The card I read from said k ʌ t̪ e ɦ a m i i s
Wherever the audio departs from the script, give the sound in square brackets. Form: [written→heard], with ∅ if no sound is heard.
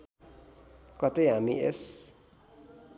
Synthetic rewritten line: k ʌ t̪ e ɦ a m i [i→e] s

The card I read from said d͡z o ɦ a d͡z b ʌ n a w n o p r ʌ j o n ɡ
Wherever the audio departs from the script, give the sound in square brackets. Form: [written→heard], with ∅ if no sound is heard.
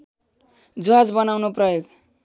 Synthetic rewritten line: d͡z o ɦ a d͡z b ʌ n a w n o p r ʌ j o [n→∅] ɡ

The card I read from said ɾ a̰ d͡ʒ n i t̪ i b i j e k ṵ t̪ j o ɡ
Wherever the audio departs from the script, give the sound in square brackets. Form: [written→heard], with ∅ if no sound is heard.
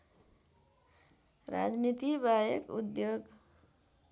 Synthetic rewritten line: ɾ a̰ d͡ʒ n i t̪ i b [i→a] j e k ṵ [t̪→d̪] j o ɡ

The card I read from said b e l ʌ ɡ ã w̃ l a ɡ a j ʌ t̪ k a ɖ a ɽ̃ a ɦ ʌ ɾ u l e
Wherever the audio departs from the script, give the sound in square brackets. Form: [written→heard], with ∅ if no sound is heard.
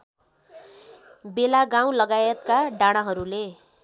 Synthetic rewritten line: b e l [ʌ→a] ɡ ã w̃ l [a→ʌ] ɡ a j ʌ t̪ k a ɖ a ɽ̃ a ɦ ʌ ɾ u l e

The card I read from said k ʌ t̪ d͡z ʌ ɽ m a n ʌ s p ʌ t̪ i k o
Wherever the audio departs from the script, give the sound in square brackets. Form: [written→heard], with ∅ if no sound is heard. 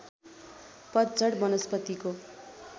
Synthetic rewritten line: [k→p] ʌ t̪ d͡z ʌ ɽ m [a→ʌ] n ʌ s p ʌ t̪ i k o

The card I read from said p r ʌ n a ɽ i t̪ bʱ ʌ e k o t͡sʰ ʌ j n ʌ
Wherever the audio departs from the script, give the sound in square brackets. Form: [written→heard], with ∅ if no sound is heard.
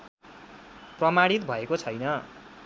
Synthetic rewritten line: p r ʌ [n→m] a ɽ i t̪ bʱ ʌ e k o t͡sʰ ʌ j n ʌ

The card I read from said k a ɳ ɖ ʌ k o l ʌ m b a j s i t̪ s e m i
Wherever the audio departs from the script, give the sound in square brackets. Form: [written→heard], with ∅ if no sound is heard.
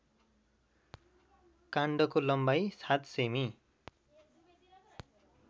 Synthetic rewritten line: k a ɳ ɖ ʌ k o l ʌ m b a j s [i→a] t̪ s e m i

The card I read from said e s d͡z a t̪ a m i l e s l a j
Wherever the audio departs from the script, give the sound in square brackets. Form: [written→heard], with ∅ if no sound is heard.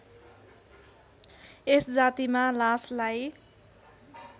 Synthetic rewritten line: e s d͡z a t̪ [a→i] m [i→a] l [e→a] s l a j

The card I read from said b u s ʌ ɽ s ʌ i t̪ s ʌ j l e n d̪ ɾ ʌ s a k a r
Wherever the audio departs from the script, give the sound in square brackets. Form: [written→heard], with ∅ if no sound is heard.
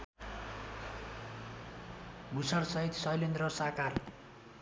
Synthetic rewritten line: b u s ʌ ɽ s ʌ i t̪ s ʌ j l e n d̪ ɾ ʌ s a k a r

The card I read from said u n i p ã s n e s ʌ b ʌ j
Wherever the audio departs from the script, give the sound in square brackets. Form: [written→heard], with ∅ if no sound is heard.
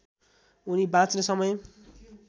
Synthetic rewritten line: u n i [p→b] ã [s→t͡s] n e s ʌ [b→m] ʌ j

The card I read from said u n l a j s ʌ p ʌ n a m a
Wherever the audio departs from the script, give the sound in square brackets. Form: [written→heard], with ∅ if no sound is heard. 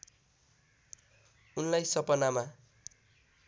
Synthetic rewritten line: u n l a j s ʌ p ʌ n a m a

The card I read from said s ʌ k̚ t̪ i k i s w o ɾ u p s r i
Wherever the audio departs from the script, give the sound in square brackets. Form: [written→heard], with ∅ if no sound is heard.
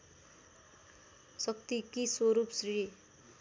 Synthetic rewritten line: s ʌ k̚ t̪ i k i s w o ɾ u p s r i

